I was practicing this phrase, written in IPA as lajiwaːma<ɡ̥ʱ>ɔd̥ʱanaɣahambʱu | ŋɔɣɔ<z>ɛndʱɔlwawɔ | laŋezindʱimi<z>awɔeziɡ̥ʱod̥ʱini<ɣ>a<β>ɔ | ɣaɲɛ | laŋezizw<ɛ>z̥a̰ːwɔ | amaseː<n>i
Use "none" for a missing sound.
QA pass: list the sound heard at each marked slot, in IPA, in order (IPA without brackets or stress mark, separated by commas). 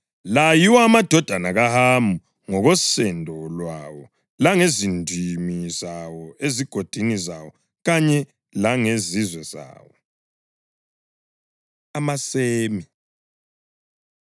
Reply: d̥ʱ, s, z, z, w, ɛ, m